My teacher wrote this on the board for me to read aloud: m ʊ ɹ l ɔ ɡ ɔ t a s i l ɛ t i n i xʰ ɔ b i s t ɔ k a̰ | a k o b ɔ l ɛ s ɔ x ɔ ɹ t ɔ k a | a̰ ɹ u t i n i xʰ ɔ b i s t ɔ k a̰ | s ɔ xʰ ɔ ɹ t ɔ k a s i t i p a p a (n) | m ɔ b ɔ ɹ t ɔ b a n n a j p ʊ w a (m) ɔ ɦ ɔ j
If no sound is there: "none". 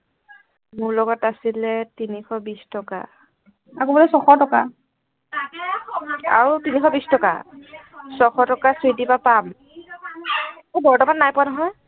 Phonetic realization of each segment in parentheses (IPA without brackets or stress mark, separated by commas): m, n